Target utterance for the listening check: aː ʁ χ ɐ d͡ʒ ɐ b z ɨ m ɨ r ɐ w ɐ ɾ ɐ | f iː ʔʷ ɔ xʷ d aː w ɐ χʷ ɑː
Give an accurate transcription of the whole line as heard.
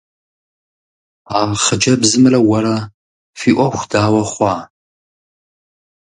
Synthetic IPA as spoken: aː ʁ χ ə d͡ʒ ɐ b z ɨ m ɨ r ɐ w ɐ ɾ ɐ | f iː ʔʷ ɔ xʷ d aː w ɐ χʷ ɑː